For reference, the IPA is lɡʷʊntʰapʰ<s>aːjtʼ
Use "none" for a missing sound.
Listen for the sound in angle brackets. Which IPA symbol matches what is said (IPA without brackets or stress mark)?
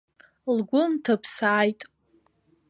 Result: s